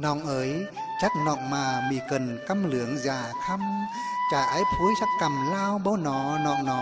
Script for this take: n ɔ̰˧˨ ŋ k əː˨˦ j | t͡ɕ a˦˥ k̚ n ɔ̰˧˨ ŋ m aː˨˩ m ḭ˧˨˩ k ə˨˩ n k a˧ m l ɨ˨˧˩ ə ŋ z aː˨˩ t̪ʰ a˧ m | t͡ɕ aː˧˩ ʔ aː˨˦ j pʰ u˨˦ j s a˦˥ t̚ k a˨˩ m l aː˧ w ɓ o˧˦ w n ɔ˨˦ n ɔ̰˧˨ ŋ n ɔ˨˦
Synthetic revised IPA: n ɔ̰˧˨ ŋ ʔ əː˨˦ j | t͡ɕ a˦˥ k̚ n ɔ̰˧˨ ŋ m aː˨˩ m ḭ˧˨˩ k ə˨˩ n k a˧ m l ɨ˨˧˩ ə ŋ z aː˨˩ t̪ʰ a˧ m | t͡ɕ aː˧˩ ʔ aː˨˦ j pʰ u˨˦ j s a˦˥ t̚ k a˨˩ m l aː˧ w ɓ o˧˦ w n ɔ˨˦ n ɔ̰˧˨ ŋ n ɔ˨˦